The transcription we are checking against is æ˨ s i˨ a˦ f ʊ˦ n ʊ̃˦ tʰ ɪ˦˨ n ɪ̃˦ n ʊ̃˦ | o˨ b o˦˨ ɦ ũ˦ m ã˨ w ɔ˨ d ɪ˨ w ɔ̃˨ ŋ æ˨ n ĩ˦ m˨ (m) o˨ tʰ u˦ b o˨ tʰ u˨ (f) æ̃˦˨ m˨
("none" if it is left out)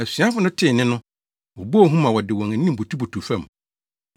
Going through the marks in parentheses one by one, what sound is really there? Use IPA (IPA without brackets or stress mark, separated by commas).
b, f